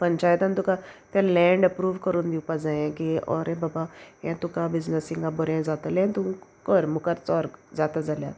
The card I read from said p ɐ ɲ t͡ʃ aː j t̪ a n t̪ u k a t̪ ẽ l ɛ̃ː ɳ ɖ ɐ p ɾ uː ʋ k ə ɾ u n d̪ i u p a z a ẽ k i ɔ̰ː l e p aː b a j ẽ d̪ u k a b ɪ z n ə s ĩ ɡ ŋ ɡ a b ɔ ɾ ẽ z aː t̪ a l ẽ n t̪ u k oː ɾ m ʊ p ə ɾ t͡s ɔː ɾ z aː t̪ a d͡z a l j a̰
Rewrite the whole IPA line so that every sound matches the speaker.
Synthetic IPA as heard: p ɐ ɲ t͡ʃ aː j t̪ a n t̪ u k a t̪ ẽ l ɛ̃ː ɳ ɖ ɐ p ɾ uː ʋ k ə ɾ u n d̪ i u p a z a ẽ k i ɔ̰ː ɾ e b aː b a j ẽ t̪ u k a b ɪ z n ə s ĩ ŋ ɡ a b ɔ ɾ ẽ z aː t̪ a l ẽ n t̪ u k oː ɾ m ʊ k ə ɾ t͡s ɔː ɾ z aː t̪ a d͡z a l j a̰